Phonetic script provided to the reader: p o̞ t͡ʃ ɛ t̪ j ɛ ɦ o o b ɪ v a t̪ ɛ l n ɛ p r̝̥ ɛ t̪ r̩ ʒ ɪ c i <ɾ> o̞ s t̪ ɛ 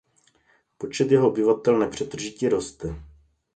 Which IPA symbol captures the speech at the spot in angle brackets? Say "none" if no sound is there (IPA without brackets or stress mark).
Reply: ɾ